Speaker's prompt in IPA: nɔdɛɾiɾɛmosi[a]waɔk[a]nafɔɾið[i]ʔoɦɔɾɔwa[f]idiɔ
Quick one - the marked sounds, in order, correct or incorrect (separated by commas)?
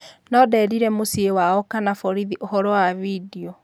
incorrect, correct, correct, incorrect